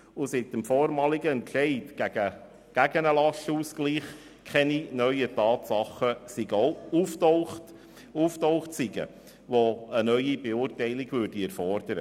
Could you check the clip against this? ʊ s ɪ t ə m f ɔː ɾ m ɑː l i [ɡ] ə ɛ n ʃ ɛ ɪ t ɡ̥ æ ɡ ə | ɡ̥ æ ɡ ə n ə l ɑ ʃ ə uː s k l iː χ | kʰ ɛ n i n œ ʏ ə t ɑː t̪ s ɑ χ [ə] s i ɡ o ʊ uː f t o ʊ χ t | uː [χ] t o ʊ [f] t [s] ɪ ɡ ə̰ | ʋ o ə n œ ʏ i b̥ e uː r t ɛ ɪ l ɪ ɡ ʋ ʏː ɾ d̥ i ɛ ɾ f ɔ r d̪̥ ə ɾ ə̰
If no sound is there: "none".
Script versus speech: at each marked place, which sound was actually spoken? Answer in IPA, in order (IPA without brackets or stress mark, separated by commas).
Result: ɡ, ə, f, χ, s